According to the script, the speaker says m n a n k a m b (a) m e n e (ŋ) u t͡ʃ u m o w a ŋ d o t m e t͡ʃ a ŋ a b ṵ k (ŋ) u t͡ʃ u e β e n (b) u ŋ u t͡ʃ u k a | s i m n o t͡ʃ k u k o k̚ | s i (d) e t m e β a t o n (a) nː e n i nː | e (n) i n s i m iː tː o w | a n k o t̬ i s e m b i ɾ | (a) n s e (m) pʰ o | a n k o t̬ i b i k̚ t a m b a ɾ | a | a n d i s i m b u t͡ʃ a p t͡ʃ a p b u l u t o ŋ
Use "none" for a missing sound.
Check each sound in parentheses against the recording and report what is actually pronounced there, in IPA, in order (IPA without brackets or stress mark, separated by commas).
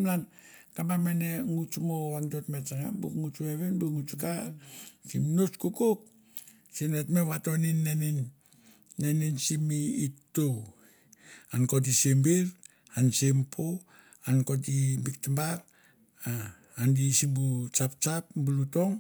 a, ŋ, ŋ, b, n, i, n, a, m